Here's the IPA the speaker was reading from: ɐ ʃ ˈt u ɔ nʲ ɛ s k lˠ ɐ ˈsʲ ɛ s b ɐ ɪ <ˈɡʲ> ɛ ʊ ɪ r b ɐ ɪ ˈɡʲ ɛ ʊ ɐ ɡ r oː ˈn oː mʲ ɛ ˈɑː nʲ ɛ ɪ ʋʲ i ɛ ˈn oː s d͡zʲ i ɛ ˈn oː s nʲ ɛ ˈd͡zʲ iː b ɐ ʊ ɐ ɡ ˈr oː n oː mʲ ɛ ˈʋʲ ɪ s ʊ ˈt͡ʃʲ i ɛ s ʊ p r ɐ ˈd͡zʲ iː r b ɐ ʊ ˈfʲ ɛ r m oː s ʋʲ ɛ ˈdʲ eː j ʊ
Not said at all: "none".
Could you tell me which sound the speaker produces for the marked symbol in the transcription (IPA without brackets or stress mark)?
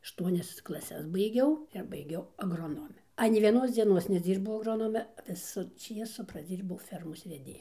ɡʲ